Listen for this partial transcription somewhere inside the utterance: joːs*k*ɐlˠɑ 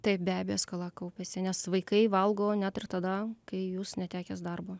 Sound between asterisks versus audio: correct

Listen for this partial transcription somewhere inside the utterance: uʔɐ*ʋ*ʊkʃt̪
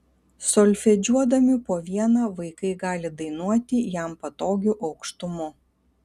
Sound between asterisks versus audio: incorrect: none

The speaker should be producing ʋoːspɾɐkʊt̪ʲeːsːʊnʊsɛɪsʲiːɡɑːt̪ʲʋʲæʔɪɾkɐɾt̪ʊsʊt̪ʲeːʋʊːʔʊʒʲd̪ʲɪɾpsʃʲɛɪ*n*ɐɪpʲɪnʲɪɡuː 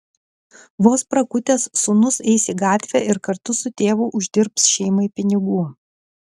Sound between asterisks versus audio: incorrect: m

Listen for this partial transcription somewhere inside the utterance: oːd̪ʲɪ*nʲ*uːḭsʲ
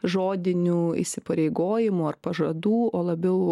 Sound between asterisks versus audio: correct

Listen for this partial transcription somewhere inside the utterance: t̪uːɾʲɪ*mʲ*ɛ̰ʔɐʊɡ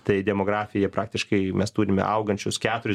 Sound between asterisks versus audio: correct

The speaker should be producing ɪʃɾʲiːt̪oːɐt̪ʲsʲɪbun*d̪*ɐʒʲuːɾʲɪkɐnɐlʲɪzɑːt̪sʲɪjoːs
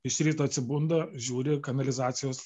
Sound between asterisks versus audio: correct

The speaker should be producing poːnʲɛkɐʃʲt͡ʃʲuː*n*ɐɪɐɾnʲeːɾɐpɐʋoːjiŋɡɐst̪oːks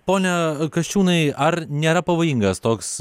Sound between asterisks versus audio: correct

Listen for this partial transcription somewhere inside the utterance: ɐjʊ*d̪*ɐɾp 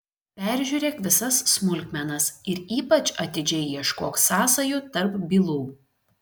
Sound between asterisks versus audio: incorrect: t̪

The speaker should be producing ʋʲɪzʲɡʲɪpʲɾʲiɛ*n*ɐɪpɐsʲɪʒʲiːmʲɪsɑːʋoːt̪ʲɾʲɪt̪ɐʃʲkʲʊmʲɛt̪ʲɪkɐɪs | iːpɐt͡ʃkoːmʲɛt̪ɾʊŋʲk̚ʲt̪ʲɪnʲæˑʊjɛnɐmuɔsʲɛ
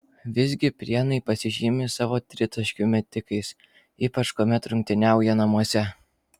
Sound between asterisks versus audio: correct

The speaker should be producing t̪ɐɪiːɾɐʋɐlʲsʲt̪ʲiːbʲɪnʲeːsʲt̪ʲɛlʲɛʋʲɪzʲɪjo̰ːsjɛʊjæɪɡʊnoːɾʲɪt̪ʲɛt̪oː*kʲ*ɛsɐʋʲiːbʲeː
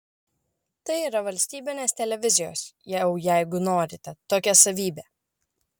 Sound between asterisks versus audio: correct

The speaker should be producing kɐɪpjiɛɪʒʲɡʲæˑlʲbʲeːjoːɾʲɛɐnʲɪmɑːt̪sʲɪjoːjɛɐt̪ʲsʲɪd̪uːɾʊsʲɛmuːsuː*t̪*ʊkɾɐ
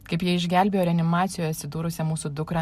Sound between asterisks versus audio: incorrect: d̪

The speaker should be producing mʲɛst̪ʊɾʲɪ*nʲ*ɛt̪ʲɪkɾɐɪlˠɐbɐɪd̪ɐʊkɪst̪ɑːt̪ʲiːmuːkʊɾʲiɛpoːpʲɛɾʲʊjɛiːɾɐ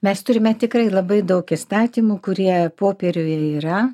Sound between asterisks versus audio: incorrect: mʲ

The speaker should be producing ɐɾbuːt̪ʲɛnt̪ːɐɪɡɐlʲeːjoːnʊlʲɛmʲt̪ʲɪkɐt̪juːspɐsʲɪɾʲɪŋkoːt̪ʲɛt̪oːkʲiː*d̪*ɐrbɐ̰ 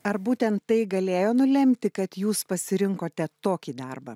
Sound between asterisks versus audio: correct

